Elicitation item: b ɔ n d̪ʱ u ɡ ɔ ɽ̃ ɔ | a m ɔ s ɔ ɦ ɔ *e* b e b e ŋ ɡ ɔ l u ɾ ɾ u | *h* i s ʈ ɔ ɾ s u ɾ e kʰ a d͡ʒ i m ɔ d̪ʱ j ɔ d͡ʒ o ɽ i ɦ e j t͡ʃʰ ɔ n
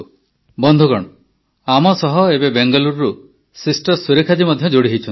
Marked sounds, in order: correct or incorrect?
correct, incorrect: s

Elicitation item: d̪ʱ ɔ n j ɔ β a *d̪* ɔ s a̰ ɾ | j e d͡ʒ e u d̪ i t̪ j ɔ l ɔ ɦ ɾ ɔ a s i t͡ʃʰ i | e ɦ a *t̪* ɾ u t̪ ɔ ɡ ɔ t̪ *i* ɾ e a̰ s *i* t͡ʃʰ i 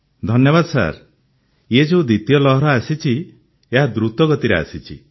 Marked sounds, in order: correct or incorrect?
correct, incorrect: d̪, correct, correct

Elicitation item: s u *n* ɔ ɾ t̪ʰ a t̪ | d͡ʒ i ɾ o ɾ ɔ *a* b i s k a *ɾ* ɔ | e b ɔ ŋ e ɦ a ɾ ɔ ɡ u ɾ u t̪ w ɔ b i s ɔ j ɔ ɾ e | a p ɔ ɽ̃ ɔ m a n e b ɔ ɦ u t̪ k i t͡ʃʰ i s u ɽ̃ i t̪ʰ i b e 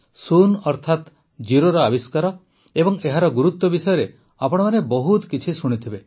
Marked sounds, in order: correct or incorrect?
correct, correct, correct

